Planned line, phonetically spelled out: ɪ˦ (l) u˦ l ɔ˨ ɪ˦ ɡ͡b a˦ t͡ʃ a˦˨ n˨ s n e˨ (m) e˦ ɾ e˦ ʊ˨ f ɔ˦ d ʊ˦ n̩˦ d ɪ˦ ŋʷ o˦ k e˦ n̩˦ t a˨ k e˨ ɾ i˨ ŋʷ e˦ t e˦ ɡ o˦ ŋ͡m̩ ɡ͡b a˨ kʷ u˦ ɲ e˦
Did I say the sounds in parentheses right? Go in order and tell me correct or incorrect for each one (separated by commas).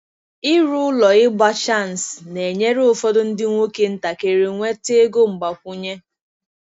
incorrect, incorrect